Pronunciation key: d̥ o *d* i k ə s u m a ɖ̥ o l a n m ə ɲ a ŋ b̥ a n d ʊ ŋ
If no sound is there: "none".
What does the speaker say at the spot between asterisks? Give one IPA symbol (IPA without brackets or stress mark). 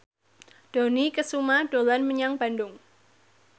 n